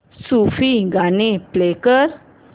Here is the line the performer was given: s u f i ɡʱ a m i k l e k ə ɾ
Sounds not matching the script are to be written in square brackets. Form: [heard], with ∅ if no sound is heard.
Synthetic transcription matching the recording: s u f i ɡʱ a [n] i [p] l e k ə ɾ

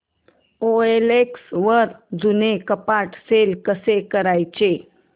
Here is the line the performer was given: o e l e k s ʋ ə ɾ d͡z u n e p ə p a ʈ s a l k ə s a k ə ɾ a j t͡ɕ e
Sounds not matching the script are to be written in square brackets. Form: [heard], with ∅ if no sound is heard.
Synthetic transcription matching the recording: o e l e k s ʋ ə ɾ d͡z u n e [k] ə p a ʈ s [e] l k ə s [e] k ə ɾ a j t͡ɕ e

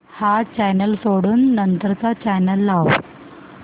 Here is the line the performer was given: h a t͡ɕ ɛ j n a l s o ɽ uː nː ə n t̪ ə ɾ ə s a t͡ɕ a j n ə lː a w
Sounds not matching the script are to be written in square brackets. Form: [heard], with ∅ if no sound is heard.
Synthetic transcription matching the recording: h a t͡ɕ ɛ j n [ə] l s o ɽ uː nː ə n t̪ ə ɾ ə [t͡s] a t͡ɕ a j n ə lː a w

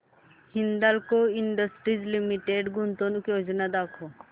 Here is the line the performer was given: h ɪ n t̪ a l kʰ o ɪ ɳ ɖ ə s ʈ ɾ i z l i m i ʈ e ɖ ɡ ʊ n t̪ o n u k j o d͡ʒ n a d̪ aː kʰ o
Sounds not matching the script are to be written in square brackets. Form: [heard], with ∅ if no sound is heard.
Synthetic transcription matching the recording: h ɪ n [d̪] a l [k] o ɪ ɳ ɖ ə s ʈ ɾ i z l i m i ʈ e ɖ ɡ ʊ n t̪ o n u k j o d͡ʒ n a d̪ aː kʰ o

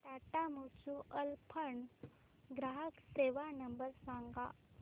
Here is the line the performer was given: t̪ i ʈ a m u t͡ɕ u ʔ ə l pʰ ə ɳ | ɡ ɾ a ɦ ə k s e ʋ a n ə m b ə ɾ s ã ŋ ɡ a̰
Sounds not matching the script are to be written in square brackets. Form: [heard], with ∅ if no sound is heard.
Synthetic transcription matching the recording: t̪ [a] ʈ a m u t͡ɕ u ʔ ə l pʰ ə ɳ | ɡ ɾ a ɦ ə k s e ʋ a n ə m b ə ɾ s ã ŋ ɡ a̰

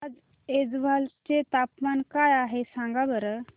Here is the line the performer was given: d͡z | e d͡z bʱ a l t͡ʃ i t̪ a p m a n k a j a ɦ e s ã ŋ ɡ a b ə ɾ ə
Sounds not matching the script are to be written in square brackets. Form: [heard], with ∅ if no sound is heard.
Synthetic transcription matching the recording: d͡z | e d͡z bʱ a l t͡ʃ [e] t̪ a p m a n k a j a ɦ e s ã ŋ ɡ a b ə ɾ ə

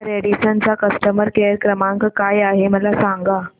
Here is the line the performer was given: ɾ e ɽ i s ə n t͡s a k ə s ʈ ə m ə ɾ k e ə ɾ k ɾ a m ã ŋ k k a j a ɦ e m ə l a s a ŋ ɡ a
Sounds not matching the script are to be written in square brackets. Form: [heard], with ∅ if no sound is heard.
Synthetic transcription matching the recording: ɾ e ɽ i s ə n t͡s a k ə s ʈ ə m ə ɾ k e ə ɾ k ɾ [ə] m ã ŋ k k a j a ɦ e m ə l a s a ŋ ɡ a

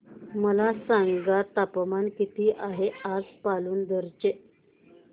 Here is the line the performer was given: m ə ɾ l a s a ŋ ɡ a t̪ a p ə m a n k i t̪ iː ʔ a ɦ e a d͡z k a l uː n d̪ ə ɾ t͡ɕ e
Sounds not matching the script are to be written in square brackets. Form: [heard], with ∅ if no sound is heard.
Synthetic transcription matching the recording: m ə [∅] l a s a ŋ ɡ a t̪ a p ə m a n k i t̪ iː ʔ a ɦ e a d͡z [p] a l uː n d̪ ə ɾ t͡ɕ e

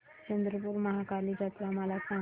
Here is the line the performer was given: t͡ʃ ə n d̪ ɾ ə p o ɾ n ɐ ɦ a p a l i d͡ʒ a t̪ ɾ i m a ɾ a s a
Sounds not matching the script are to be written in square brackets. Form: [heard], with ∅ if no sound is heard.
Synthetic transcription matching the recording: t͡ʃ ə n d̪ ɾ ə p [u] ɾ [m] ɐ ɦ a [k] a l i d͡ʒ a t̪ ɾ [a] m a [l] a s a

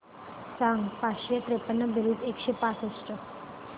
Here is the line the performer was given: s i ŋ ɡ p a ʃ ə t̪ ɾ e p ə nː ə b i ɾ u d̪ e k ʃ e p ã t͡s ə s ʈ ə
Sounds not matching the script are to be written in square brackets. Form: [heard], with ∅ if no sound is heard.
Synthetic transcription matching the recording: s [a] ŋ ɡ p a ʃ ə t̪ ɾ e p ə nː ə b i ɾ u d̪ e k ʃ e p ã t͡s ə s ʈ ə

